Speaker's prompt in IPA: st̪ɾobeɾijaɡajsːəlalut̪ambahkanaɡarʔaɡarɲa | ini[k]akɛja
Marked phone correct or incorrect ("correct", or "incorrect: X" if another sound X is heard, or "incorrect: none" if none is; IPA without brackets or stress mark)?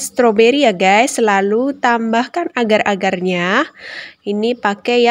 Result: incorrect: p